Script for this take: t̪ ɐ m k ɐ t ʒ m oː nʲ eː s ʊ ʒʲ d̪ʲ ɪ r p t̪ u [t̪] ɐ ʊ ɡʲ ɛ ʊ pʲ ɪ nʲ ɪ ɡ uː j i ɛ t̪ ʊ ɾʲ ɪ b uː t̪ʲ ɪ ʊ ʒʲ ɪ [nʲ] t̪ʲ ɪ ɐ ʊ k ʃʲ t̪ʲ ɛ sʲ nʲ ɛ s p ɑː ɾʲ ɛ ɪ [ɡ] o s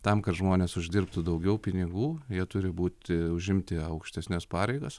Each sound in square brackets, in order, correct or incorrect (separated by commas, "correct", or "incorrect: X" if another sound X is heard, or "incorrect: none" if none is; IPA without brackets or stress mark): incorrect: d̪, incorrect: mʲ, correct